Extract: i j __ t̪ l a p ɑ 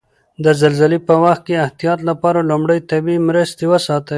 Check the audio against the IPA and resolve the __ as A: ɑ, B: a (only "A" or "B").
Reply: A